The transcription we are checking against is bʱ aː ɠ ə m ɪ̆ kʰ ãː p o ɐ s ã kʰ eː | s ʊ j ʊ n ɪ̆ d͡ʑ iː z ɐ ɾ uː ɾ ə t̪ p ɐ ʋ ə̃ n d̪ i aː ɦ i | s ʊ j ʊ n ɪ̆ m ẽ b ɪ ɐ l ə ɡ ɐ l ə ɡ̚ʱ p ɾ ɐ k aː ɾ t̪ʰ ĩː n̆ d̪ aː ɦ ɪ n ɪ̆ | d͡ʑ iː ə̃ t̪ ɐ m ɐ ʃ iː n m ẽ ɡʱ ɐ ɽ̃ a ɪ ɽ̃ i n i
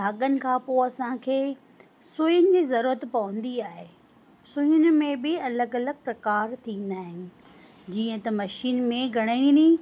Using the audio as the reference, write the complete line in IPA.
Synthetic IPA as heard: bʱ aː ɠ ə n ɪ̆ kʰ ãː p o ɐ s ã kʰ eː | s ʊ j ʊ n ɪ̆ d͡ʑ iː z ɐ ɾ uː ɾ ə t̪ p ɐ ʋ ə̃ n d̪ i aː ɦ e | s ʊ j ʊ n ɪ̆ m ẽ b ɪ ɐ l ə ɡ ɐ l ə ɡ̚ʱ p ɾ ɐ k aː ɾ t̪ʰ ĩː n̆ d̪ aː ɦ ɪ n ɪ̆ | d͡ʑ iː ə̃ t̪ ɐ m ɐ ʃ iː n m ẽ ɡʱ ɐ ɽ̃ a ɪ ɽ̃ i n i